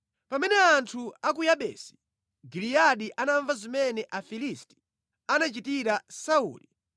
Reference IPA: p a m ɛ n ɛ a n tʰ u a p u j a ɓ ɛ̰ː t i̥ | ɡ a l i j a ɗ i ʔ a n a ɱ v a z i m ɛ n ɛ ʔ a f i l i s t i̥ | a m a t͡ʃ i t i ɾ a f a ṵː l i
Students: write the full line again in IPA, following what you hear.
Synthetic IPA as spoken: p a m ɛ n ɛ a n tʰ u a k u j a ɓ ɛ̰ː s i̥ | ɡ i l i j a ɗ i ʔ a n a ɱ v a z i m ɛ n ɛ ʔ a f i l i s t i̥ | a n a t͡ʃ i t i ɾ a s a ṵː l i